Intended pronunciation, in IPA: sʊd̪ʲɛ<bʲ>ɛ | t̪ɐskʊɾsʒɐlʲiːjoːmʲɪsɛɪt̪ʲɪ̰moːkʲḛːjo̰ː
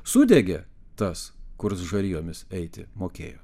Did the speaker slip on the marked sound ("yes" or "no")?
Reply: yes